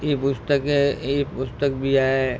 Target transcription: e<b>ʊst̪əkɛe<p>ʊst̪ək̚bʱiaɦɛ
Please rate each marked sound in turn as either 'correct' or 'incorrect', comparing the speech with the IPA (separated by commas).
incorrect, correct